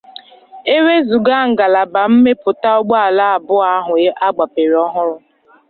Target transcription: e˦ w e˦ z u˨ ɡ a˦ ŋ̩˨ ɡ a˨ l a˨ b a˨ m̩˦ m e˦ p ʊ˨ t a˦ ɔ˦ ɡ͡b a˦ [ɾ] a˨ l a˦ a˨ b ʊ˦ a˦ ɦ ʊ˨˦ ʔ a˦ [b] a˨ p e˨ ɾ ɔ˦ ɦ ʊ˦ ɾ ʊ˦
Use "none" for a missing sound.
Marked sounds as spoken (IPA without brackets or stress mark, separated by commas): none, ɡ͡b